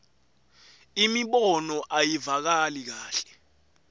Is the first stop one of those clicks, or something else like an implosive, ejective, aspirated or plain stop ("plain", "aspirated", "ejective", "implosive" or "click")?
implosive